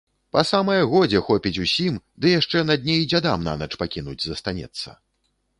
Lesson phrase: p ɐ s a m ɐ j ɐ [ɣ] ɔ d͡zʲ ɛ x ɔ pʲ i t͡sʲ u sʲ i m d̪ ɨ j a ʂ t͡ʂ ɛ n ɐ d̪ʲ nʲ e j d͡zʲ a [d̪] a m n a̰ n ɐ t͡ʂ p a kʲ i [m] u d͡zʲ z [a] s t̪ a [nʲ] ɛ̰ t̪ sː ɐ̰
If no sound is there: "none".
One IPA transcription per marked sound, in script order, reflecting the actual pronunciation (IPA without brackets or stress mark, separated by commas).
ɣ, d̪, n, ɐ, nʲ